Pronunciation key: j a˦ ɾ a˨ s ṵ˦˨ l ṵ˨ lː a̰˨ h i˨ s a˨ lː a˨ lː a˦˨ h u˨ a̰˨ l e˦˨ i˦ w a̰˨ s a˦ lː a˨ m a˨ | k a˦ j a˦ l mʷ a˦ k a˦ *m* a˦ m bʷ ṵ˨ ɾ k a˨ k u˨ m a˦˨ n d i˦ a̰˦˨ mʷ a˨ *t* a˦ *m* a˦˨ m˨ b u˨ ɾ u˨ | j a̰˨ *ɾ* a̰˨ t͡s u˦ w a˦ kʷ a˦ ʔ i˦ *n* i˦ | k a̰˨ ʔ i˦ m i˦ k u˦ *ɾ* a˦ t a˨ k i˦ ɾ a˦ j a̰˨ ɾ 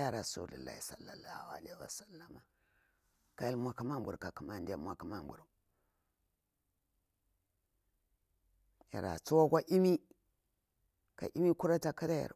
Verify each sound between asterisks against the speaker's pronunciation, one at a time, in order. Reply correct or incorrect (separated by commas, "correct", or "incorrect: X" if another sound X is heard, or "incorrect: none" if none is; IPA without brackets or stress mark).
correct, incorrect: k, correct, correct, incorrect: m, correct